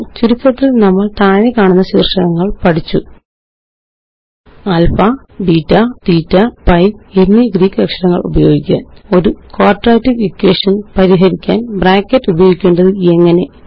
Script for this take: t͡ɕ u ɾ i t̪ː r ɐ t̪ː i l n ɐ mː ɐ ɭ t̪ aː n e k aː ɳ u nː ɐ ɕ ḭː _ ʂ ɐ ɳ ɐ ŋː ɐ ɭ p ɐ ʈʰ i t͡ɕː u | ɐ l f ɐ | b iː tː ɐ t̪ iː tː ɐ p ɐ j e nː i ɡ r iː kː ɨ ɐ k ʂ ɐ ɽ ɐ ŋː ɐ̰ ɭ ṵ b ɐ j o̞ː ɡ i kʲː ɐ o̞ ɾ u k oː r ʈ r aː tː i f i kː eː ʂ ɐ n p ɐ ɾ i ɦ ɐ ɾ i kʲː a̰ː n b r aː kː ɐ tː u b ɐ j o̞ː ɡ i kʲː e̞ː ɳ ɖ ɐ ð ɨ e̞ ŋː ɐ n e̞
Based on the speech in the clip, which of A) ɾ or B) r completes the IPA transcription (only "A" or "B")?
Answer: B